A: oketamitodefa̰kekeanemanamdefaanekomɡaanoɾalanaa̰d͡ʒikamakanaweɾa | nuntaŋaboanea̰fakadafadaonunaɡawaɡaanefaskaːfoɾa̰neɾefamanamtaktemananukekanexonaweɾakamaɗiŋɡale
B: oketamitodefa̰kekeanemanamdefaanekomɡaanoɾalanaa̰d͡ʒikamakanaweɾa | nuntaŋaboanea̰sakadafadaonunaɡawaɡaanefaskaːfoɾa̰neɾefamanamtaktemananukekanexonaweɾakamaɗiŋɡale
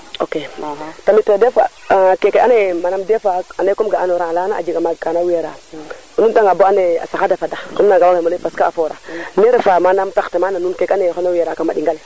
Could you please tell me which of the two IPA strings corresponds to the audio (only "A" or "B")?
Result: B